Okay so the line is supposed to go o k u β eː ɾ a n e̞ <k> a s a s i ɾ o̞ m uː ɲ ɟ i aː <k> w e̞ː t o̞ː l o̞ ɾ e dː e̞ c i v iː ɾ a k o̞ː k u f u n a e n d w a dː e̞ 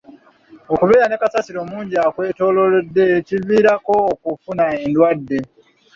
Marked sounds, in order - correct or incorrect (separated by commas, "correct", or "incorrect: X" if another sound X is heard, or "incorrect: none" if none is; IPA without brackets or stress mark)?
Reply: correct, correct